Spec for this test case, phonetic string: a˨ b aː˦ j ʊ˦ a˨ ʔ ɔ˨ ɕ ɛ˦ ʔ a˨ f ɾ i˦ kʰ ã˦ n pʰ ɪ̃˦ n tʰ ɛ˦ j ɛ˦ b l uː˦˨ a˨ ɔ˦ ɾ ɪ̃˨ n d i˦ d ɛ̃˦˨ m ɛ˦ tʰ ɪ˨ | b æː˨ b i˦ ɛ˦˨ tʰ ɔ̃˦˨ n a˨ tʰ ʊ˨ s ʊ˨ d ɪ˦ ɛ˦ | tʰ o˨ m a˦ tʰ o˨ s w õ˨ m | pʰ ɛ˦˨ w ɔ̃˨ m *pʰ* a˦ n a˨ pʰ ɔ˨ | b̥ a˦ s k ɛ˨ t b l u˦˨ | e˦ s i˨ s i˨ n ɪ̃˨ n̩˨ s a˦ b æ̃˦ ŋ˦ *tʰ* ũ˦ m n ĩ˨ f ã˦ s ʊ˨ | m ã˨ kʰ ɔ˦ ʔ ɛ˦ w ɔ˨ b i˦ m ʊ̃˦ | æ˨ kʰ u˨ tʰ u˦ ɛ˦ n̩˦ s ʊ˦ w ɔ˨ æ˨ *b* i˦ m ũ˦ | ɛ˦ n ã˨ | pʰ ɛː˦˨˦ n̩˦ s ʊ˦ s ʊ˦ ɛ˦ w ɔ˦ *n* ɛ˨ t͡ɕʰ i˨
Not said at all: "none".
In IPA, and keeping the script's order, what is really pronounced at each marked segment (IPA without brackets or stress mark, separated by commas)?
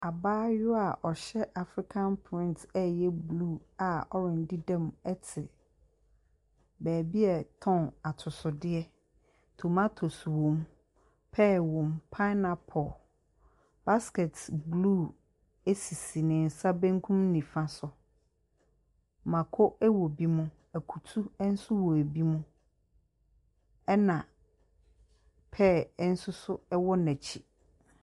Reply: pʰ, kʰ, b, n